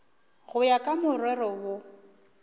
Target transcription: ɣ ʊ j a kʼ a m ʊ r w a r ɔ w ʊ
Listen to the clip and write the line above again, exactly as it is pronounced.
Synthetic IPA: ɣ ʊ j a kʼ a m ʊ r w ɛ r ɔ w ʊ